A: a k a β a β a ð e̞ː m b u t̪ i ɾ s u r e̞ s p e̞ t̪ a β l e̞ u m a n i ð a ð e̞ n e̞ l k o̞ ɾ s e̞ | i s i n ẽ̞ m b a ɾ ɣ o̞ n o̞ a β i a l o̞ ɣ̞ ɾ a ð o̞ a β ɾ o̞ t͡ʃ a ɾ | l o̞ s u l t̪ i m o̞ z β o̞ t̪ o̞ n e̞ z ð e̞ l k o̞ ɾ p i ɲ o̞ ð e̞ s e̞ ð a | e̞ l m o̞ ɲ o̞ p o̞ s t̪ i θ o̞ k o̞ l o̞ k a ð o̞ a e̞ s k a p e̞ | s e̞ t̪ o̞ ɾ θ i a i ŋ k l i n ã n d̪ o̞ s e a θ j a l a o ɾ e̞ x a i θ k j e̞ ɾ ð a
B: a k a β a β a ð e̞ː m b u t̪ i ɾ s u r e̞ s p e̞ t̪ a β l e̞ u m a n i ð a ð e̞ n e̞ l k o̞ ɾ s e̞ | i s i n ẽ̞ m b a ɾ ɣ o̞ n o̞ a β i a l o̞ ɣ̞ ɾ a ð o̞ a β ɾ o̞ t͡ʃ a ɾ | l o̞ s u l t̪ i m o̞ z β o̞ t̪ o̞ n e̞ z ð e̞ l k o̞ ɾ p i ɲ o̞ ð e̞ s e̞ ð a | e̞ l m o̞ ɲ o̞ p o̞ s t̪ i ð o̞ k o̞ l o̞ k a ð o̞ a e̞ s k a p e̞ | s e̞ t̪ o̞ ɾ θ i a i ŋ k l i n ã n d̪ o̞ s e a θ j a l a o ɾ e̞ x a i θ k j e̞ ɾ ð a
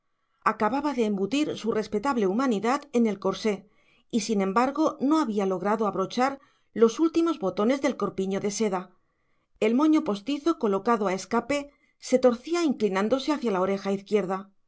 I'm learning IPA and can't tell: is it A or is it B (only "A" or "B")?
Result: A